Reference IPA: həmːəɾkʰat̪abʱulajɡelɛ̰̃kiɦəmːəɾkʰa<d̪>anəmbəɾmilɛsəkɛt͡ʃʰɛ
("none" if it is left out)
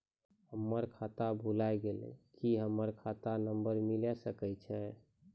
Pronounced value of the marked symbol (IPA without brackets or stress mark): t̪